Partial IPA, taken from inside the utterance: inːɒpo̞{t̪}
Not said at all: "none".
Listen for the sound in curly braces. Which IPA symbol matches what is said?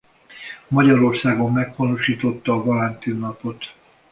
t̪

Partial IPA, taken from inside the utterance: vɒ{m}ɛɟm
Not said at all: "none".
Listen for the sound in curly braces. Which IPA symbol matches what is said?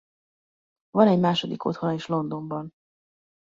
n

